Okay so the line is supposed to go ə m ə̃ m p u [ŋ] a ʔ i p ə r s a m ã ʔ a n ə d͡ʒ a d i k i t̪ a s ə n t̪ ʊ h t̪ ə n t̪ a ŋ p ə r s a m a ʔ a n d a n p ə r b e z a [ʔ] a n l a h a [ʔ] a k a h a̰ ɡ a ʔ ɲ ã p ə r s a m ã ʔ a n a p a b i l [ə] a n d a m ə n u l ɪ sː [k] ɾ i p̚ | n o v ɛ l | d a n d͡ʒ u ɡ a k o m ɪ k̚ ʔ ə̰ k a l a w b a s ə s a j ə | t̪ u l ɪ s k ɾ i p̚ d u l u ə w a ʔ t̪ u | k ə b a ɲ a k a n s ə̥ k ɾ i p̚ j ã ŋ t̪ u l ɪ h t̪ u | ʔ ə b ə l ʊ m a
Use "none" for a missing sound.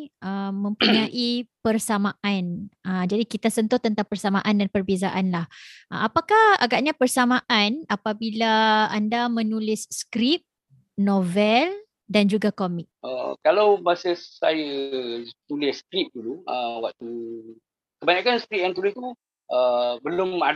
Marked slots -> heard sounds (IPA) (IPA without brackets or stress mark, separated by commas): ɲ, ʔ, p, a, k